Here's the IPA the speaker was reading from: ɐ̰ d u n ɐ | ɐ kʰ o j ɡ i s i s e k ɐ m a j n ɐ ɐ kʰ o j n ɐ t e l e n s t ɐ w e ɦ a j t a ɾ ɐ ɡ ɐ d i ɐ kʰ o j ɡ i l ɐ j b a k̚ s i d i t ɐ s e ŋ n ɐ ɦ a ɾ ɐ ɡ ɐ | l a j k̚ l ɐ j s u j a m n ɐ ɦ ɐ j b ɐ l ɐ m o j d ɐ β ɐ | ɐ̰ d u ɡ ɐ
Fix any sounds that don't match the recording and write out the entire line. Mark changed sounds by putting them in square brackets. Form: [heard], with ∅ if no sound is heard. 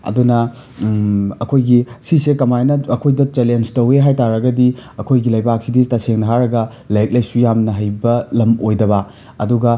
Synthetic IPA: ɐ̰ d u n ɐ | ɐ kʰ o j ɡ i s i s e k ɐ m a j n ɐ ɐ kʰ o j [d] ɐ [t͡ʃ] e l e n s t ɐ w e ɦ a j t a ɾ ɐ ɡ ɐ d i ɐ kʰ o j ɡ i l ɐ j b a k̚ s i d i t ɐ s e ŋ n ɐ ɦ a ɾ ɐ ɡ ɐ | l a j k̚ l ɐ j s u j a m n ɐ ɦ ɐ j b ɐ l ɐ m o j d ɐ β ɐ | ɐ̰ d u ɡ ɐ